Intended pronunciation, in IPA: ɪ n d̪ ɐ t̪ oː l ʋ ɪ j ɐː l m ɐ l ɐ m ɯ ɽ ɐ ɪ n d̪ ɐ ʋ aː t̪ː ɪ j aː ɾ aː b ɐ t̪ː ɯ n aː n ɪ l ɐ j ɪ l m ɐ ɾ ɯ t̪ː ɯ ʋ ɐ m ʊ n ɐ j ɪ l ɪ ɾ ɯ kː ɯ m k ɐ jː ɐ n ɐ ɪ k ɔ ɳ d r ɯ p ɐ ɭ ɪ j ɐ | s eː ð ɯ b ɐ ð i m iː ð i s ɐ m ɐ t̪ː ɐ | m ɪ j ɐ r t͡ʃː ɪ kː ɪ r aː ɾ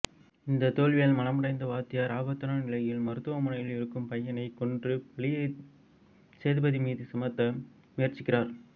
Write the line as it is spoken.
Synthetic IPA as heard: ɪ n d̪ ɐ t̪ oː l ʋ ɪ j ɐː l m ɐ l ɐ m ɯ ɽ ɐ ɪ n d̪ ɐ ʋ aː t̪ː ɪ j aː ɾ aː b ɐ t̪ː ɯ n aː n ɪ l ɐ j ɪ l m ɐ ɾ ɯ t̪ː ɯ ʋ ɐ m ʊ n ɐ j ɪ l ɪ ɾ ɯ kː ɯ m p ɐ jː ɐ n ɐ ɪ k ɔ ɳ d r ɯ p ɐ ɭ ɪ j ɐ | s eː ð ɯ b ɐ ð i m iː ð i s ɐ m ɐ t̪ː ɐ | m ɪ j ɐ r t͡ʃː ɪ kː ɪ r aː ɾ